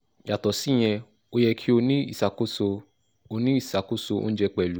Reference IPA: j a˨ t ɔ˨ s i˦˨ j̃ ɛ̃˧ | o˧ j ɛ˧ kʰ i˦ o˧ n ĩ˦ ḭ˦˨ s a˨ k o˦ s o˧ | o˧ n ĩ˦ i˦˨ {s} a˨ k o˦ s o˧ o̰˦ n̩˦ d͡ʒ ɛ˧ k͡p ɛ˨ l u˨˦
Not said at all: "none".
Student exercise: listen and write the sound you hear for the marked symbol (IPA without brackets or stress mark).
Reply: s